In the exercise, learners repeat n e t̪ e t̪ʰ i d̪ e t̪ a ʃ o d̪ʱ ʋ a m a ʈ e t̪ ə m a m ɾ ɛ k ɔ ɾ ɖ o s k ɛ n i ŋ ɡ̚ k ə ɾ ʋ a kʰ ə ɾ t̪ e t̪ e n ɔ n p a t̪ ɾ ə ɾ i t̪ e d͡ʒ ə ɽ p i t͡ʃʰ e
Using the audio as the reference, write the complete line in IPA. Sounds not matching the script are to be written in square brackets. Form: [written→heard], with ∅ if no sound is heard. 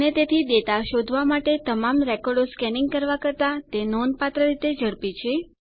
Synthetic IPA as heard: n e t̪ e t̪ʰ i d̪ e t̪ a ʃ o d̪ʱ ʋ a m a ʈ e t̪ ə m a m ɾ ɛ k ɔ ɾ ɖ o s k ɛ n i ŋ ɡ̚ k ə ɾ ʋ a [kʰ→k] ə ɾ t̪ [e→a] t̪ e n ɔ n p a t̪ ɾ ə ɾ i t̪ e d͡ʒ ə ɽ p i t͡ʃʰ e